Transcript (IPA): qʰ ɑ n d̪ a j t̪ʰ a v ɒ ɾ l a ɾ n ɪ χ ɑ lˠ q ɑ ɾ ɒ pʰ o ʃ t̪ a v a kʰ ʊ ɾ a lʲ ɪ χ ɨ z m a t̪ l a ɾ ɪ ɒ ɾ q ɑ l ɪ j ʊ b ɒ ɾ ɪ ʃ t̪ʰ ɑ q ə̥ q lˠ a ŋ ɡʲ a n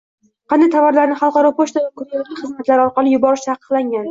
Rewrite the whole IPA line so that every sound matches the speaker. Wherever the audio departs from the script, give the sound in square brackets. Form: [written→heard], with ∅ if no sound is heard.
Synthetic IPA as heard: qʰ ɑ n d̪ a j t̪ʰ a v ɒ ɾ l a ɾ n ɪ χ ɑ lˠ q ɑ ɾ ɒ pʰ o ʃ t̪ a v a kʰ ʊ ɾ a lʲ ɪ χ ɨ z m a t̪ l a ɾ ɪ ɒ ɾ q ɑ l ɪ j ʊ b ɒ ɾ ɪ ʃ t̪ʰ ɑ q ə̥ q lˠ a ŋ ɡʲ a n